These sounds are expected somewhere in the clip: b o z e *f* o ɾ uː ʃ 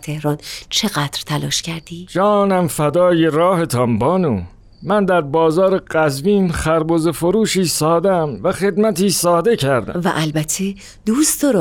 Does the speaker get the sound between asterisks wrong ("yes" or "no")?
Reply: no